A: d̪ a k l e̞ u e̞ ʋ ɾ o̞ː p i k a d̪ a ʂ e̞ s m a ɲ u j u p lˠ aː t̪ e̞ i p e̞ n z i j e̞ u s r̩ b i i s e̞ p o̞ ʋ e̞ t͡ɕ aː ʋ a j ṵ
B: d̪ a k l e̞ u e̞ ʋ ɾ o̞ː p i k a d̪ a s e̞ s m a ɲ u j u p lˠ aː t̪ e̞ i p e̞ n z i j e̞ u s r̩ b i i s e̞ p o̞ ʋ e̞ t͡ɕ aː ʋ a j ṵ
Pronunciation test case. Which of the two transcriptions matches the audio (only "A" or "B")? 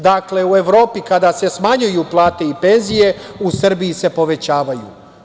B